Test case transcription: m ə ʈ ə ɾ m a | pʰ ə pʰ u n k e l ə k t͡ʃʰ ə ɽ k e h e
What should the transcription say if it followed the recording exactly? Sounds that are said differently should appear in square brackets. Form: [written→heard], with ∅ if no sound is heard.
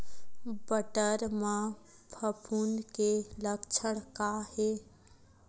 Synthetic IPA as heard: [m→b] ə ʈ ə ɾ m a | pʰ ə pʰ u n k e l ə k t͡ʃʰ ə ɽ k [e→a] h e